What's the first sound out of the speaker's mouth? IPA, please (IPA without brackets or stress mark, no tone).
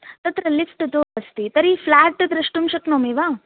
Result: t̪